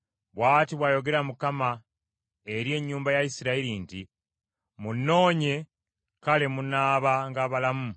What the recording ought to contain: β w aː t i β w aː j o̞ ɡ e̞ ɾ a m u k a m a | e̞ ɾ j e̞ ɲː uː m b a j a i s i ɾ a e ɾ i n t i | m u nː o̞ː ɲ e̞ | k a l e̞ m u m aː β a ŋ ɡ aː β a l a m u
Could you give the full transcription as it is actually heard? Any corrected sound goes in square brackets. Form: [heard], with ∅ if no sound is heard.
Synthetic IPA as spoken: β w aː t i β w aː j o̞ ɡ e̞ ɾ a m u k a m a | e̞ ɾ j e̞ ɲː uː m b a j a i s i ɾ a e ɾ i n t i | m u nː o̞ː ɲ e̞ | k a l e̞ m u [n] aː β a ŋ ɡ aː β a l a m u